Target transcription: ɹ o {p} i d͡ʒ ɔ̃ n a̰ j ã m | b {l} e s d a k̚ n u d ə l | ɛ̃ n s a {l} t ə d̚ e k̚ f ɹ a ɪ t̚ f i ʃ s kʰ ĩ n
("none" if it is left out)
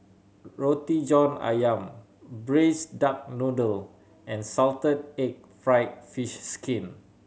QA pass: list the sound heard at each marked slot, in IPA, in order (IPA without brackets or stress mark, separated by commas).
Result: t, ɹ, l